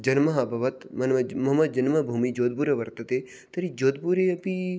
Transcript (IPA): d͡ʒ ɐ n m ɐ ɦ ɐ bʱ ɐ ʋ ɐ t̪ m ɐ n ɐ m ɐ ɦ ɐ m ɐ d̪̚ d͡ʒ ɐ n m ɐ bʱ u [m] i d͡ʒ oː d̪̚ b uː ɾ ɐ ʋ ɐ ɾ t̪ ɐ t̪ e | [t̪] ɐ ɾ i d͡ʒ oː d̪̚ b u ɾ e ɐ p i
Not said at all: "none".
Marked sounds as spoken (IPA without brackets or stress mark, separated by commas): m, t̪